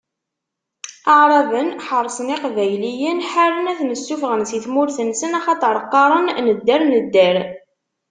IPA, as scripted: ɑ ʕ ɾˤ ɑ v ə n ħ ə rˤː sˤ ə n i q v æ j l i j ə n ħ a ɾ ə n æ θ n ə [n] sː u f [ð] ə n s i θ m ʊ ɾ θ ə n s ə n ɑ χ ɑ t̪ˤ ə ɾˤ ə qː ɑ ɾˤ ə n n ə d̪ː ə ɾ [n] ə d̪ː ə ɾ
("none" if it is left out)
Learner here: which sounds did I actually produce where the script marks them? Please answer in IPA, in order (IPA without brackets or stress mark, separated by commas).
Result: none, ʁ, n